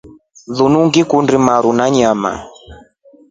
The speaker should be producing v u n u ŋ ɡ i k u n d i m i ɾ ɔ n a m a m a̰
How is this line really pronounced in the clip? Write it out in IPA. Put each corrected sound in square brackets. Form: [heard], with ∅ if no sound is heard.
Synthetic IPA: [ð] u n u ŋ ɡ i k u n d i m [a] ɾ [u] n a [ɲ] a m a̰

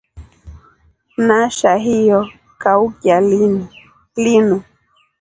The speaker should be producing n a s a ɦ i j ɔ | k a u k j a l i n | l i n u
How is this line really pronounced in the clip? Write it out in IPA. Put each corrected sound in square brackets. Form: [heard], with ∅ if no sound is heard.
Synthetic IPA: n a [ʃ] a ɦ i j ɔ | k a u k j a l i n | l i n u

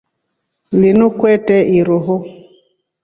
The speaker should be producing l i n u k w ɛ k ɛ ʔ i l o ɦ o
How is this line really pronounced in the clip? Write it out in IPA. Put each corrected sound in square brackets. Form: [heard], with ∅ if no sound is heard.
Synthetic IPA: l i n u k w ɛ [t] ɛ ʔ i [ɾ] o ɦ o

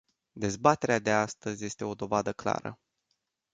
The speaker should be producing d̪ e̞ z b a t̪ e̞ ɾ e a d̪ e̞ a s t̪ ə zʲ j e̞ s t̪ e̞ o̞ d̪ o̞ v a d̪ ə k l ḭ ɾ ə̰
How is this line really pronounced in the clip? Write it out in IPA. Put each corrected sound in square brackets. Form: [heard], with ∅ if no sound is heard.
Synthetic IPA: d̪ e̞ z b a t̪ e̞ ɾ e a d̪ e̞ a s t̪ ə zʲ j e̞ s t̪ e̞ o̞ d̪ o̞ v a d̪ ə k l [a̰] ɾ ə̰

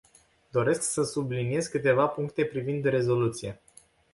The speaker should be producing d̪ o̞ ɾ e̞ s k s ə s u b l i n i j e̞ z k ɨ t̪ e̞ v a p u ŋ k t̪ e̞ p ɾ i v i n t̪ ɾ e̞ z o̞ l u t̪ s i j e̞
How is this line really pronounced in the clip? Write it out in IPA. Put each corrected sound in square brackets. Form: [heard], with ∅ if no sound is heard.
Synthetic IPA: d̪ o̞ ɾ e̞ s k s ə s u b l i n i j e̞ z k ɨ t̪ e̞ v a p u ŋ k t̪ e̞ p ɾ i v i n [d̪] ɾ e̞ z o̞ l u t̪ s i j e̞

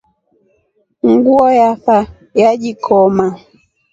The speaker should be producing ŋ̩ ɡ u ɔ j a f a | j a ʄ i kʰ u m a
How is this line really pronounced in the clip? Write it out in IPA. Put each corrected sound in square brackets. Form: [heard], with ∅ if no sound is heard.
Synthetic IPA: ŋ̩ ɡ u ɔ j a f a | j a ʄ i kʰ [ɔ] m a

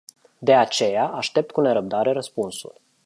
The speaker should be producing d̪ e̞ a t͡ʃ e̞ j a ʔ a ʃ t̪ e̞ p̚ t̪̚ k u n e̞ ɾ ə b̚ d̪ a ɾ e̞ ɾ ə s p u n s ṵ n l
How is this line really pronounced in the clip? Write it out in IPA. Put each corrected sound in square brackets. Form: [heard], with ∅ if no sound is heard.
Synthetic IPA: d̪ e̞ a t͡ʃ e̞ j a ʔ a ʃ t̪ e̞ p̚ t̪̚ k u n e̞ ɾ ə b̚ d̪ a ɾ e̞ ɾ ə s p u n s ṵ [∅] l

